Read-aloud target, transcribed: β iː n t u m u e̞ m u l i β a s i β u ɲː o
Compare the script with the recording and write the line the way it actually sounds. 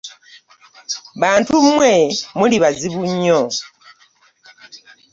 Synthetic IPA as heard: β aː n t u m w e̞ m u l i β a z i β u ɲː o